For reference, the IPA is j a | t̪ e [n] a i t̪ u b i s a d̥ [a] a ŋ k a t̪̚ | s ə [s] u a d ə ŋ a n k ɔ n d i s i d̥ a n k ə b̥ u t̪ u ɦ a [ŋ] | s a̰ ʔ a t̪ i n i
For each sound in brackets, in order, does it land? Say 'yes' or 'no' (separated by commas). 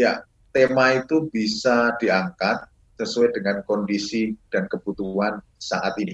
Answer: no, no, yes, no